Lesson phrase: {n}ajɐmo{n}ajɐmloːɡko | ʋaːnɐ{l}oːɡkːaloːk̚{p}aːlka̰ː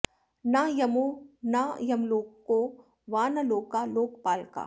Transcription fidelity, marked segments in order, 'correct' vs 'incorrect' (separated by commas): correct, correct, correct, correct